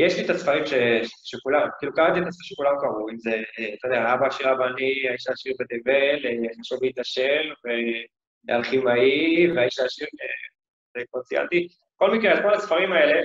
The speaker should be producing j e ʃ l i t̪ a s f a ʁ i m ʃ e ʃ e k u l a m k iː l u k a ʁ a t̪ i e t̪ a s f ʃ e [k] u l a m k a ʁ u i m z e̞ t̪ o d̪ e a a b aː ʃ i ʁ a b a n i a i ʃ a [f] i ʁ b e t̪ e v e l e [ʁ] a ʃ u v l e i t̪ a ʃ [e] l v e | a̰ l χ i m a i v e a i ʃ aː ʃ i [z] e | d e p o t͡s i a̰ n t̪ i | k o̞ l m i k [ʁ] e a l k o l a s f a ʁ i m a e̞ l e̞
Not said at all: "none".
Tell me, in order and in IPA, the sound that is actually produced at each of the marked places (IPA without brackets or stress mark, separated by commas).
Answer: k, ʃ, χ, e, ʁ, ʁ